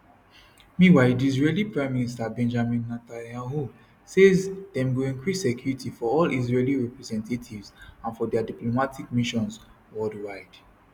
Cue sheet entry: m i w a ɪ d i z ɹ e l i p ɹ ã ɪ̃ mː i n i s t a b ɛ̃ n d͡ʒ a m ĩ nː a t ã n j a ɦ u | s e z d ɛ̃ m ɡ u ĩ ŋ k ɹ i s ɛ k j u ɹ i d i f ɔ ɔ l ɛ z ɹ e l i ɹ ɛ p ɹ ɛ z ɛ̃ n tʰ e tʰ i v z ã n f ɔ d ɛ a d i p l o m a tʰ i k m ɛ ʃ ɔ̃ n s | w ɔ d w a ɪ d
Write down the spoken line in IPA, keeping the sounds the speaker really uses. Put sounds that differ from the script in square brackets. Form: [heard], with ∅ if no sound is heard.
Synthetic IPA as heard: m i w a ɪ d i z ɹ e l i p ɹ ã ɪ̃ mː i n i s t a b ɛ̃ n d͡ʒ a m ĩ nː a t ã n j a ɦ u | s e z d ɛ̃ m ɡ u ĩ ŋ k ɹ i s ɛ k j u ɹ i [t] i f ɔ ɔ l [i] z ɹ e l i ɹ ɛ p ɹ ɛ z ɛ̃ n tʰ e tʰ i v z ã n f ɔ d ɛ a d i p l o m a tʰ i k m [i] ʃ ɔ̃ n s | w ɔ d w a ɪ d